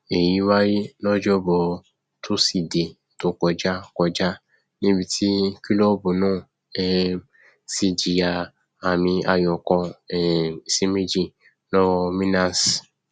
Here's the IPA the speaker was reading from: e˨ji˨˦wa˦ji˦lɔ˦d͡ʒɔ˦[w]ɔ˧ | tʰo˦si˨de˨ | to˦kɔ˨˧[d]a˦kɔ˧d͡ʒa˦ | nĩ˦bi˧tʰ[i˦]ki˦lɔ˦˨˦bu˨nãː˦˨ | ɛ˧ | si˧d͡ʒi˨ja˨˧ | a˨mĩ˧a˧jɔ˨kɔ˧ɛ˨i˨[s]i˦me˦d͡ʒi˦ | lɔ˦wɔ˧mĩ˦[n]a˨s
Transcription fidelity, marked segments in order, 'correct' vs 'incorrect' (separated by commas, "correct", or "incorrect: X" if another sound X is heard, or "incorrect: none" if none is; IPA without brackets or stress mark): incorrect: b, incorrect: d͡ʒ, correct, correct, correct